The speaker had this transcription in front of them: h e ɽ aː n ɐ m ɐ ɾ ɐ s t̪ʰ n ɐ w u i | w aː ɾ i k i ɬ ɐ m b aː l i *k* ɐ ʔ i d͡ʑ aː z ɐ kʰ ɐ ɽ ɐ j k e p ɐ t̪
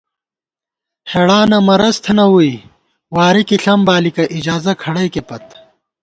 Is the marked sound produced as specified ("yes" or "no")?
yes